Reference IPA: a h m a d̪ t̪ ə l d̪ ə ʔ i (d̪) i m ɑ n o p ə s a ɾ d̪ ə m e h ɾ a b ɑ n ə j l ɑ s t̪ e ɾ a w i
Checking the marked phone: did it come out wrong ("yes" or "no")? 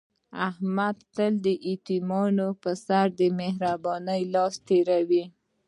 yes